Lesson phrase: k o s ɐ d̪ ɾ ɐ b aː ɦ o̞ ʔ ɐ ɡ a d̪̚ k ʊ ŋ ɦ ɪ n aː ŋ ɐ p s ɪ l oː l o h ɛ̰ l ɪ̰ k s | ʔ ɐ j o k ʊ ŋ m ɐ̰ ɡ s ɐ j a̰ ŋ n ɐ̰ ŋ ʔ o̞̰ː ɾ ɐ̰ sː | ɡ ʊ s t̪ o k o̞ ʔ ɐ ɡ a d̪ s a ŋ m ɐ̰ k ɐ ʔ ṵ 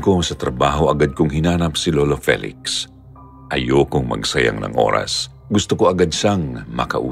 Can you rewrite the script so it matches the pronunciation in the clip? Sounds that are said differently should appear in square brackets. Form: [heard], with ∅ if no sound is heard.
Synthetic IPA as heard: k o s ɐ [t̪] ɾ ɐ b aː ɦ o̞ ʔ ɐ ɡ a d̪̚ k ʊ ŋ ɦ ɪ n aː [n] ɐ p s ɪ l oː l o [f] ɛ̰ l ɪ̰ k s | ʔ ɐ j o k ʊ ŋ m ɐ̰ ɡ s ɐ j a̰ ŋ n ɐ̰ ŋ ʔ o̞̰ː ɾ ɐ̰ [s] | ɡ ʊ s t̪ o k o̞ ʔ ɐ ɡ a d̪ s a ŋ m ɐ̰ k ɐ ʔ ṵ